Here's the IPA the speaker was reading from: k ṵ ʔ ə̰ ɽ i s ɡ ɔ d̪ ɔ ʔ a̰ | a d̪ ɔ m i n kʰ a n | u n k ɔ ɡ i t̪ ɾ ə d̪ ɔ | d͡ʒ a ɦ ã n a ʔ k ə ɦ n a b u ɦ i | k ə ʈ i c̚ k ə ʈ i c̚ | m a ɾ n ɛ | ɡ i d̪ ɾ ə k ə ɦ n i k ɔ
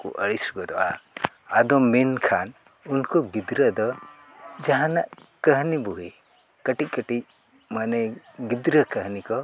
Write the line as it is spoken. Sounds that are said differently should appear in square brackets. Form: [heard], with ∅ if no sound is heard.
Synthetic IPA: k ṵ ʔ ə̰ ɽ i s ɡ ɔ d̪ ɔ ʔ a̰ | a d̪ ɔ m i n kʰ a n | u n k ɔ ɡ i [d̪] ɾ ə d̪ ɔ | d͡ʒ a ɦ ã n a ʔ k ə ɦ n [i] b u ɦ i | k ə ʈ i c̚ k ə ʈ i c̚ | m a [∅] n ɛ | ɡ i d̪ ɾ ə k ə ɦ n i k ɔ